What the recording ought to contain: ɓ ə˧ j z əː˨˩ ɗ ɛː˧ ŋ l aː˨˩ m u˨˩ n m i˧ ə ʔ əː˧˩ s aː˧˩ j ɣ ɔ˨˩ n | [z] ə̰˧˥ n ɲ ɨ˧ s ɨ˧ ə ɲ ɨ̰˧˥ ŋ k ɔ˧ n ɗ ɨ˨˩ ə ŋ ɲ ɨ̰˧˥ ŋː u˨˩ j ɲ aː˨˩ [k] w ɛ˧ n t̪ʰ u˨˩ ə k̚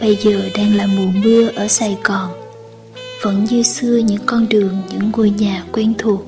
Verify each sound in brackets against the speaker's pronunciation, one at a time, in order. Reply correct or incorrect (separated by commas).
incorrect, correct